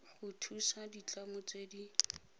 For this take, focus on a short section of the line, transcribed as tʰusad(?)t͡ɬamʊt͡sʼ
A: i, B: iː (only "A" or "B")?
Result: A